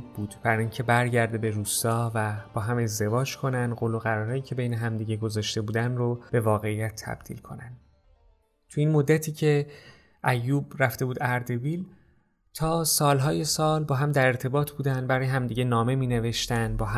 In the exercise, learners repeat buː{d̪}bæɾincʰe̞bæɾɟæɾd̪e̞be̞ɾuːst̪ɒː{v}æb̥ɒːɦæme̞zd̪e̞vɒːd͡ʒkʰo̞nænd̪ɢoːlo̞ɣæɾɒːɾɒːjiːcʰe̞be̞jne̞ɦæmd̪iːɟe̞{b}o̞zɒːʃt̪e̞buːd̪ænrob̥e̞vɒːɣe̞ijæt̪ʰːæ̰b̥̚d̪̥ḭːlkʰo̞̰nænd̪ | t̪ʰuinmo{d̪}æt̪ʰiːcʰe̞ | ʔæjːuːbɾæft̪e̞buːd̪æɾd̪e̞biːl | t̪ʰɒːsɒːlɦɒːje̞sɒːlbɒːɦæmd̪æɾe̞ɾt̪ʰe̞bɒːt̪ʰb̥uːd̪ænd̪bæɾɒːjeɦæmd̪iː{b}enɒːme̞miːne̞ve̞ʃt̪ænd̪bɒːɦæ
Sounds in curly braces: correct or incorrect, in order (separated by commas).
correct, correct, incorrect, incorrect, incorrect